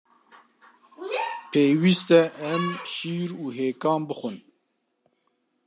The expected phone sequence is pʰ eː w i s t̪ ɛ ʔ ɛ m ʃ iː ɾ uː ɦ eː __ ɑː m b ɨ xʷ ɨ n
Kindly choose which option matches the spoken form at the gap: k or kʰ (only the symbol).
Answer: k